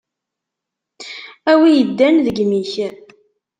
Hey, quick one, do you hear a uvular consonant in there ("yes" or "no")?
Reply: no